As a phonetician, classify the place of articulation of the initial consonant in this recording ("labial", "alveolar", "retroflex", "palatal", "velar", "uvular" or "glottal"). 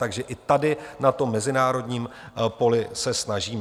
velar